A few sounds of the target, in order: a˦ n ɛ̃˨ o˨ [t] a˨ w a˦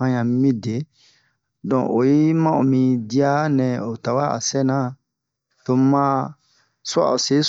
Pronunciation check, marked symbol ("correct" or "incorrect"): correct